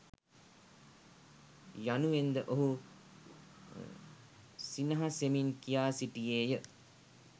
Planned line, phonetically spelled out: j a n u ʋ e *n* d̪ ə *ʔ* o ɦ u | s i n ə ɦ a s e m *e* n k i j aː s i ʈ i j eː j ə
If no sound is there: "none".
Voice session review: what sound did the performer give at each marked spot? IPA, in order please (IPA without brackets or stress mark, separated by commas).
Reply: n, ʔ, i